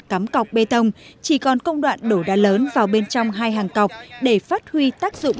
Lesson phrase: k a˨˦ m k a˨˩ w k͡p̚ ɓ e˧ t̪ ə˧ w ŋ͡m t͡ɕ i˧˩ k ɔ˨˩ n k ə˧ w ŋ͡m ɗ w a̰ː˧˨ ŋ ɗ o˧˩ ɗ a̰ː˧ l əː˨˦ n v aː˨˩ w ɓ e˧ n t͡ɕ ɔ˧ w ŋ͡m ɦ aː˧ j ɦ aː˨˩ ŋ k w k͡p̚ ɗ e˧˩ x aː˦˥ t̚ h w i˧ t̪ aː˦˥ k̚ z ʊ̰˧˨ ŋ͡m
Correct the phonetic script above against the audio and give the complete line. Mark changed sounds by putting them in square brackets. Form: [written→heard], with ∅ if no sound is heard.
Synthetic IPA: k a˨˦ m k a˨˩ w k͡p̚ ɓ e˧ t̪ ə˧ w ŋ͡m t͡ɕ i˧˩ k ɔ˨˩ n k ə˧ w ŋ͡m ɗ w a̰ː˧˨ [ŋ→n] ɗ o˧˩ ɗ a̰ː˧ l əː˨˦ n v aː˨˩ w ɓ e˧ n t͡ɕ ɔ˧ w ŋ͡m ɦ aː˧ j ɦ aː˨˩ ŋ k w k͡p̚ ɗ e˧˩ [x→f] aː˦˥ t̚ h w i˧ t̪ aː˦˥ k̚ z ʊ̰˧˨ ŋ͡m